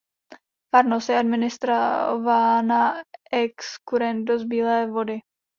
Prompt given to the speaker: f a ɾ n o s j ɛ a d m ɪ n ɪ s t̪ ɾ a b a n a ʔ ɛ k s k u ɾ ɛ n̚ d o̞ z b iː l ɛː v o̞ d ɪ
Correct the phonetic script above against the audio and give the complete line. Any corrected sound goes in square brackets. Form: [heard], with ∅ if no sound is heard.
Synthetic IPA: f a ɾ n o s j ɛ a d m ɪ n ɪ s t̪ ɾ a [v] a n a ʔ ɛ k s k u ɾ ɛ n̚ d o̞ z b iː l ɛː v o̞ d ɪ